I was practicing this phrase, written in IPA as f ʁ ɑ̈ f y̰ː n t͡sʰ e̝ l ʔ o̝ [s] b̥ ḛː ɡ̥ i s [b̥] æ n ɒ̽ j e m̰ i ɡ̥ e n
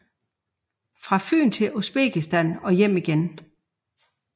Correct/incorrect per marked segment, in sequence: correct, incorrect: d̥

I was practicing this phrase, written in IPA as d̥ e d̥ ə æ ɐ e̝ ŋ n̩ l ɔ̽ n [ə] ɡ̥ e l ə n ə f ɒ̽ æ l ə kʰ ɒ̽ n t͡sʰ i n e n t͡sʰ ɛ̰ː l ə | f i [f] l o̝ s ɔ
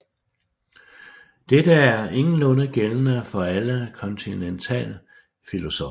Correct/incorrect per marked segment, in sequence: correct, incorrect: none

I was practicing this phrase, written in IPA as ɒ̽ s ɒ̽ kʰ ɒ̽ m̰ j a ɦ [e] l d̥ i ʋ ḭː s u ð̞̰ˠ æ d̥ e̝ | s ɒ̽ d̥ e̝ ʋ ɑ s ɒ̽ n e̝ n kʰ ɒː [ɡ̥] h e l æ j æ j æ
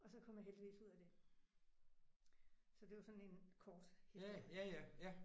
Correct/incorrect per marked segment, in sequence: correct, incorrect: d̥

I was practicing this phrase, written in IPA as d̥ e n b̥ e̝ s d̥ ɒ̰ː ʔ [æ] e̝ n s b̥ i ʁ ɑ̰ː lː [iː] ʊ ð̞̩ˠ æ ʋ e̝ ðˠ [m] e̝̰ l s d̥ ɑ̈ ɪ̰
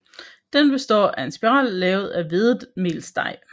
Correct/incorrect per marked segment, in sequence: correct, incorrect: ɛː, correct

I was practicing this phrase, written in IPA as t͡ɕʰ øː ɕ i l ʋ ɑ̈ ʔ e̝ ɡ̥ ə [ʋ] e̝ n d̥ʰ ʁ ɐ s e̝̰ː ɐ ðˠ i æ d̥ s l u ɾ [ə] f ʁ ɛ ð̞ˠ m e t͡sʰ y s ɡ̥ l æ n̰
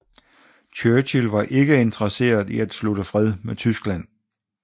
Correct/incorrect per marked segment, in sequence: incorrect: none, correct

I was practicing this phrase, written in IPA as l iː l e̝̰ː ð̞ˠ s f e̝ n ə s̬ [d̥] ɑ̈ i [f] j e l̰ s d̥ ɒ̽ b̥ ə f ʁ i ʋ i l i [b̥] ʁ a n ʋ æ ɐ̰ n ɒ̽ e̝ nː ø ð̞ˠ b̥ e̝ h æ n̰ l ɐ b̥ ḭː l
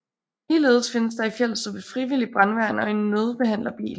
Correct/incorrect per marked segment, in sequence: correct, correct, correct

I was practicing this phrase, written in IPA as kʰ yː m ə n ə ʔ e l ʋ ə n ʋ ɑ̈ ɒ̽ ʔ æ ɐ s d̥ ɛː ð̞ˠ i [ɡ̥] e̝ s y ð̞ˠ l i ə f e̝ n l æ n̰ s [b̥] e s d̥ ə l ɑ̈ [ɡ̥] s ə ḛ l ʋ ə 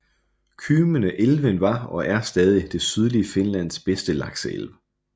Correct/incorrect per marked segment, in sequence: incorrect: d̥, correct, correct

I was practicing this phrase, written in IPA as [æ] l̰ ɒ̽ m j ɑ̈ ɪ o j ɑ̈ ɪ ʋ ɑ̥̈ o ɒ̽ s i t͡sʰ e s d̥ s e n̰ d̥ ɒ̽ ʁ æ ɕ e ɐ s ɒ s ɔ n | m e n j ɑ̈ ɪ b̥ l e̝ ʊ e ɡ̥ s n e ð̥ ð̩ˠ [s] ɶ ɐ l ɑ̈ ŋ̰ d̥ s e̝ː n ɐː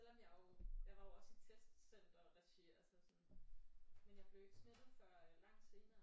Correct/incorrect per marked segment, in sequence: incorrect: e, incorrect: f

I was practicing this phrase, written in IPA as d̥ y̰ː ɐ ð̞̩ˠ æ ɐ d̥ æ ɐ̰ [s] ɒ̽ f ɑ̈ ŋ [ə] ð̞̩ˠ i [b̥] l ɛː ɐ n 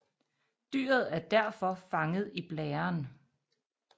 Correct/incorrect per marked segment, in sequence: incorrect: f, correct, correct

